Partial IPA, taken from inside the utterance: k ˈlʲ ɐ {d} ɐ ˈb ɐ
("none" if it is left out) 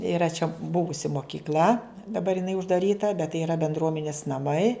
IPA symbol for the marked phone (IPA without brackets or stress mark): d